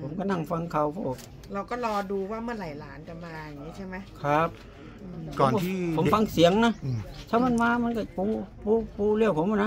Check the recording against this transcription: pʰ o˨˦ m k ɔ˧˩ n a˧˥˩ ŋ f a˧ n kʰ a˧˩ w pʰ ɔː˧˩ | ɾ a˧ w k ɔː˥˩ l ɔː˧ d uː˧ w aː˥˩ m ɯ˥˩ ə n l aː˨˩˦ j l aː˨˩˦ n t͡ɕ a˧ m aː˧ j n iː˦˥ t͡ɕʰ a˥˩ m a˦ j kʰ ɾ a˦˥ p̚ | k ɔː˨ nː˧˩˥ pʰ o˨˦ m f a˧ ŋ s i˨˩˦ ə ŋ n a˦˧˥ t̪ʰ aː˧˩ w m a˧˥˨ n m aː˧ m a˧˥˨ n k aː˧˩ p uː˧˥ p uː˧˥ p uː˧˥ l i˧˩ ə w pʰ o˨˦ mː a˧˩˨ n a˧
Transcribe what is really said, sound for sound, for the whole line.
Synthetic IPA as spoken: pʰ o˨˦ m k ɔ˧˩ n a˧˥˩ ŋ f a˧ ŋ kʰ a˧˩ w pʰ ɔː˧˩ | ɾ a˧ w k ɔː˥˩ l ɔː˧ d uː˧ w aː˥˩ m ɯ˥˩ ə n l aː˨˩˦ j l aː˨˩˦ n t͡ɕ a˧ m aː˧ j ŋ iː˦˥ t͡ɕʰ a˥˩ m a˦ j kʰ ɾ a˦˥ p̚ | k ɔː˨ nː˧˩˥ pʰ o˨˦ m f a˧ ŋ s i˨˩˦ ə ŋ n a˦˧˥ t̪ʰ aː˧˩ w m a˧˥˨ n m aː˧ m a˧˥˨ n k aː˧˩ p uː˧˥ p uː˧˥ p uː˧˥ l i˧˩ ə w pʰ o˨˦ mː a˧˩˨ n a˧